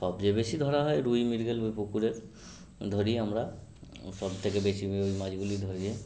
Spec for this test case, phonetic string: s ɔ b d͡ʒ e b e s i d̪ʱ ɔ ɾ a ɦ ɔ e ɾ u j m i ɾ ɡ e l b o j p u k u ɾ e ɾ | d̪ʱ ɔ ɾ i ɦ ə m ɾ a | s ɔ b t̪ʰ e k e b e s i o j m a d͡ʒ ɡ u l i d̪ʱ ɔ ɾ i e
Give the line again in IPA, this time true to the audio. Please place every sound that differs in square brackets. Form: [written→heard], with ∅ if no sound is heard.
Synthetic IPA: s ɔ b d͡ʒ e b e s i d̪ʱ ɔ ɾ a ɦ ɔ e ɾ u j m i ɾ ɡ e l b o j p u k u ɾ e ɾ | d̪ʱ ɔ ɾ i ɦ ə m ɾ a | s ɔ b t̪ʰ e k e b e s i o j m a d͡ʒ ɡ u l i d̪ʱ ɔ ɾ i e